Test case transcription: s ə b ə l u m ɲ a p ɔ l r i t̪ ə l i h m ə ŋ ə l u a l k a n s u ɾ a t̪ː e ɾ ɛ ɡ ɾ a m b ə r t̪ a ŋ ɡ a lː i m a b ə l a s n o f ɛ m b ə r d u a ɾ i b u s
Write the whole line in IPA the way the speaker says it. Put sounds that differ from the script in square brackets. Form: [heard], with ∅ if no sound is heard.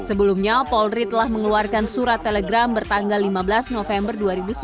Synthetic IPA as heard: s ə b ə l u m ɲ a p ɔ l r i t̪ ə l [a] h m ə ŋ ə l u a [r] k a n s u ɾ a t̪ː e [l] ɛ ɡ ɾ a m b ə r t̪ a ŋ ɡ a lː i m a b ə l a s n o f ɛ m b ə r d u a ɾ i b u s